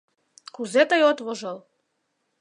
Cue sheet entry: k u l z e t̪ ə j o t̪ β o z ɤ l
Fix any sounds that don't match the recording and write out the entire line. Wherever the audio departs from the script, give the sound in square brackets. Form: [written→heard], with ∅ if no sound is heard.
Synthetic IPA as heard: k u [l→∅] z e t̪ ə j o t̪ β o [z→ʒ] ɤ l